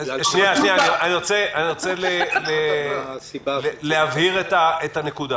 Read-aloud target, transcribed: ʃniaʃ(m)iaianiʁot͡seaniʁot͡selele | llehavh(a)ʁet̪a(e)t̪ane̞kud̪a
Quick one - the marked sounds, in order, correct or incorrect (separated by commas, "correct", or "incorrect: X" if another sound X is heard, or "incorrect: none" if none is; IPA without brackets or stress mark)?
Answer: incorrect: n, incorrect: i, correct